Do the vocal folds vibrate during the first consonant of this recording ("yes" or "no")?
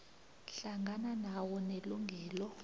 no